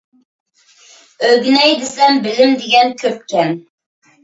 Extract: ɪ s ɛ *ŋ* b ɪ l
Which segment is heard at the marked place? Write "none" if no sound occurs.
m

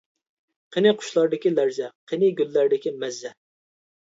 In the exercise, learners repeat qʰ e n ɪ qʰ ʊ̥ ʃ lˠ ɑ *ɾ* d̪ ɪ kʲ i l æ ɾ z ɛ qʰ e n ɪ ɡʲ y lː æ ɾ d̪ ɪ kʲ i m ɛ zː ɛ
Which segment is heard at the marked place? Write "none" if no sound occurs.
ɾ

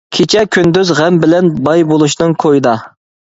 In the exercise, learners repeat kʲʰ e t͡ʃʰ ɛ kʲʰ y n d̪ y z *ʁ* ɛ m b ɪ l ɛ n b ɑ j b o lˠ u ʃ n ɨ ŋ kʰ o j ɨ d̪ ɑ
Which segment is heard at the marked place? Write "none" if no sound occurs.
ʁ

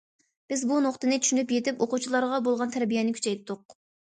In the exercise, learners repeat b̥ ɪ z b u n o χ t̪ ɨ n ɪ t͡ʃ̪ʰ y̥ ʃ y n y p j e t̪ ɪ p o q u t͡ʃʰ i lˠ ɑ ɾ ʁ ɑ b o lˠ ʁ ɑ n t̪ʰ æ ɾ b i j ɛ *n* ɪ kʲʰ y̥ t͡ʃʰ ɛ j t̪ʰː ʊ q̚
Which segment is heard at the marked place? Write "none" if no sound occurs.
n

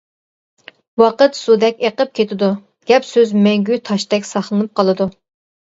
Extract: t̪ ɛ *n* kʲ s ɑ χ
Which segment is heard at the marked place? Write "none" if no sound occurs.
none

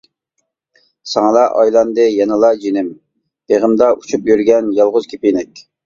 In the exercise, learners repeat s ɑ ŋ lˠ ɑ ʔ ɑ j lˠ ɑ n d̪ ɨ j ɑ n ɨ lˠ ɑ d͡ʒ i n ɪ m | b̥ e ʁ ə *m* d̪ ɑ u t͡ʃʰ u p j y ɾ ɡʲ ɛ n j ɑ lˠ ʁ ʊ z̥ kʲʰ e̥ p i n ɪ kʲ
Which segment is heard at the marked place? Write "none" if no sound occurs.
m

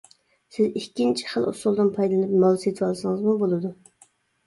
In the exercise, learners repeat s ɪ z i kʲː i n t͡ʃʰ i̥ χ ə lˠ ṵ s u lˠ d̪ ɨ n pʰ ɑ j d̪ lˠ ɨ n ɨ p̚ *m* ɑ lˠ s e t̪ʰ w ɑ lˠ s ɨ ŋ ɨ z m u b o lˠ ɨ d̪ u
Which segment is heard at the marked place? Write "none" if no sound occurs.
m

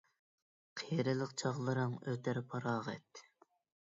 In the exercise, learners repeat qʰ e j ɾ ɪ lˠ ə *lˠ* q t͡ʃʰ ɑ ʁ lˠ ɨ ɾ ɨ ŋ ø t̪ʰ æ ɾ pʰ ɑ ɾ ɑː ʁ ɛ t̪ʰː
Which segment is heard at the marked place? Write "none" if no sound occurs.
none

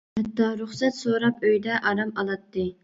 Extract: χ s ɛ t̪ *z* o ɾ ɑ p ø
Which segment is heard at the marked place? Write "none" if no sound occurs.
s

